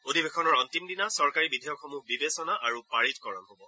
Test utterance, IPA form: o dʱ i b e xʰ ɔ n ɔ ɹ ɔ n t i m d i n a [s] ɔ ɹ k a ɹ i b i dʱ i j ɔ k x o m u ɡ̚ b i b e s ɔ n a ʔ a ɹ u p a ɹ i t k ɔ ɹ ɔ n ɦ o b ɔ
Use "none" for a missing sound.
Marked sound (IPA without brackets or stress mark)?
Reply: s